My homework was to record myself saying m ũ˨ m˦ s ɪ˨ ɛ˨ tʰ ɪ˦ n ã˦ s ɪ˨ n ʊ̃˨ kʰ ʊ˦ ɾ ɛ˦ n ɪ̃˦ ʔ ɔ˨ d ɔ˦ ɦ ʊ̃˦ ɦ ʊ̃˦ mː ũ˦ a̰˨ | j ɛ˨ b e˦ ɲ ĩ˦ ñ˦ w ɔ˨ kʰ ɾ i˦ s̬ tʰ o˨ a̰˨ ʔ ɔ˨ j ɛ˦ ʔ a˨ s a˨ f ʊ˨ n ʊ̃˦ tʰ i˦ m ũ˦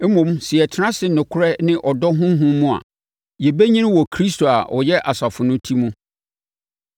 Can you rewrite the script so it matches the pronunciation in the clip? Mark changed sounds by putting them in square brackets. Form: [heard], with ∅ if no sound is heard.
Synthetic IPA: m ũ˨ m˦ s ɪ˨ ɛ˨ tʰ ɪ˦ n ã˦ s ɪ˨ n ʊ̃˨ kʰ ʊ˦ ɾ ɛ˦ n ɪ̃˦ ʔ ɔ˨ d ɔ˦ ɦ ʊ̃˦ ɦ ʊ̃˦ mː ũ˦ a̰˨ | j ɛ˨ b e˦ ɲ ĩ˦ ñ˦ w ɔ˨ kʰ ɾ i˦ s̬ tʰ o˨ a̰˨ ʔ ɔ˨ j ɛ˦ ʔ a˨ s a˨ f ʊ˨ n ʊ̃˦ tʰ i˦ m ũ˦